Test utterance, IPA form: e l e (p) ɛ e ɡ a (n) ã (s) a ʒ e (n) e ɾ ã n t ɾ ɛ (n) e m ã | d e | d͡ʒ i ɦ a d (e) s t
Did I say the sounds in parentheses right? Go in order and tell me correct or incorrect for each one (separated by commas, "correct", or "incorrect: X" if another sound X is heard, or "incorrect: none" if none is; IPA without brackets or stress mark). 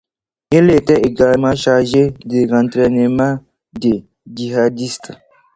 incorrect: t, incorrect: m, incorrect: ʃ, incorrect: d, correct, incorrect: i